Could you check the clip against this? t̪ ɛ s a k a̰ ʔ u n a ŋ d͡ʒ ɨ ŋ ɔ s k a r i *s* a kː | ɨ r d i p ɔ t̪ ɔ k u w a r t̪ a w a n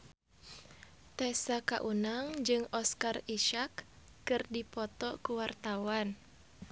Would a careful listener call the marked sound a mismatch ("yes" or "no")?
yes